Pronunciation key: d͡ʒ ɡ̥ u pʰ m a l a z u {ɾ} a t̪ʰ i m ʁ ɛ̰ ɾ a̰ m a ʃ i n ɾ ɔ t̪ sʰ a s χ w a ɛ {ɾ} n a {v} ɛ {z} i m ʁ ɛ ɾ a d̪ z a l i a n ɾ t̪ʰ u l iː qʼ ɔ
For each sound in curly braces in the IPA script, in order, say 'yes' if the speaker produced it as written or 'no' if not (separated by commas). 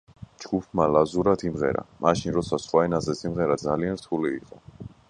yes, no, no, no